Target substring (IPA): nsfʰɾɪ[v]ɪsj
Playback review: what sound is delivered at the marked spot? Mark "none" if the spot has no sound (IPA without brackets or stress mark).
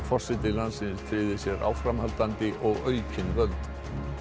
ð